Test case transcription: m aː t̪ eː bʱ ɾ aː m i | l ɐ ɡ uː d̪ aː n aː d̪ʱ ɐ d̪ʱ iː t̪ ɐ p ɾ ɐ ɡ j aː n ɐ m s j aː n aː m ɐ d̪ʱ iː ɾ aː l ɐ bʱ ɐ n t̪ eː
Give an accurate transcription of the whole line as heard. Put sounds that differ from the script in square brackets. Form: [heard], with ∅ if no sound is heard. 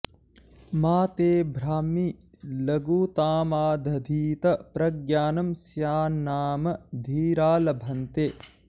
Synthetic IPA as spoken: m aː t̪ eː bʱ ɾ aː m i | l ɐ ɡ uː [t̪] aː [m] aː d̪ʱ ɐ d̪ʱ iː t̪ ɐ p ɾ ɐ ɡ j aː n ɐ m s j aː n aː m ɐ d̪ʱ iː ɾ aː l ɐ bʱ ɐ n t̪ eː